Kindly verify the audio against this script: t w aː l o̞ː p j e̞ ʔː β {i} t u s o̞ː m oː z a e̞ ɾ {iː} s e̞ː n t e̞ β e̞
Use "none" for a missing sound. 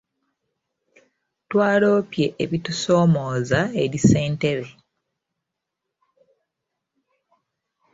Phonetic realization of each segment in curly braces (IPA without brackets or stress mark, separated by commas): i, i